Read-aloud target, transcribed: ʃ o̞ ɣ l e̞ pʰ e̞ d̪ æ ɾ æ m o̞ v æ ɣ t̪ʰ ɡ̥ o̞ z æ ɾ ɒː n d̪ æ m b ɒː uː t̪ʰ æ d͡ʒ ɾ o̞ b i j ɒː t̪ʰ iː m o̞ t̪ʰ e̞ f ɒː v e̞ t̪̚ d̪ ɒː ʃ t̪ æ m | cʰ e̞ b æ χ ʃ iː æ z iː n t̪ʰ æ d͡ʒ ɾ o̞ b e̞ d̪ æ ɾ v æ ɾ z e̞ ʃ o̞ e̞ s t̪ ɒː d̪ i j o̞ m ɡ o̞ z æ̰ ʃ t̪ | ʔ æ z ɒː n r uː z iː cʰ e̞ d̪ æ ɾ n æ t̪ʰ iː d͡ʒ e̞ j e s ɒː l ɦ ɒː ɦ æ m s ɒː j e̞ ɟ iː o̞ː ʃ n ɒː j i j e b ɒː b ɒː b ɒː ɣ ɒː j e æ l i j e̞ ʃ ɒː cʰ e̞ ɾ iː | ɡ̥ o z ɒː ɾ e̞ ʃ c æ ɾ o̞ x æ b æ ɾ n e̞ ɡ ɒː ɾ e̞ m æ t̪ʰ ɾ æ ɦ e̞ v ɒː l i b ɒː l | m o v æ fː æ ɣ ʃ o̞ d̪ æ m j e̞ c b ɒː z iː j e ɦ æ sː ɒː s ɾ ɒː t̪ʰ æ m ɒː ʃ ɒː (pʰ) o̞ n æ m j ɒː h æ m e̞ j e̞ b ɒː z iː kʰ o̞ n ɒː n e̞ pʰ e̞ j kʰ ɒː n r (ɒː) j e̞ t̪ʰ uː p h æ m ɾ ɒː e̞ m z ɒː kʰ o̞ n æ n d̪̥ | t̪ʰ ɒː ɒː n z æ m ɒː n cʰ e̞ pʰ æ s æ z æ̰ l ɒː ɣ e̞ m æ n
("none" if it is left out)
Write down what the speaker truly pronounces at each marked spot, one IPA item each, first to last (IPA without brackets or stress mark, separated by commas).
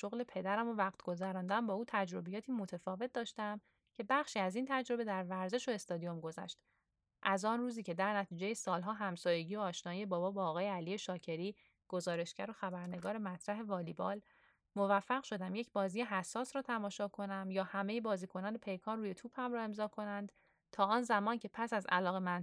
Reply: kʰ, uː